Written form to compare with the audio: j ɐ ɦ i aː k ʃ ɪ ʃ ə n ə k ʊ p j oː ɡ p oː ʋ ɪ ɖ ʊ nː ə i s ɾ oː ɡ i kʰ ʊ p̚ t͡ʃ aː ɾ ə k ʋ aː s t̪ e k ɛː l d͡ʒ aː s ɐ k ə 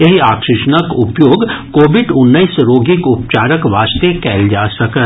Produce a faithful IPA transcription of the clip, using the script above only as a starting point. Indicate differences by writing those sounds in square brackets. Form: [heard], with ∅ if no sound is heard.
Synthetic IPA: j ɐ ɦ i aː k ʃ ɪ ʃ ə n ə k ʊ p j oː ɡ [k] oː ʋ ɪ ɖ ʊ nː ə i s ɾ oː ɡ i [k] ʊ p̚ t͡ʃ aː ɾ ə k ʋ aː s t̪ e k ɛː l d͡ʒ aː s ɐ k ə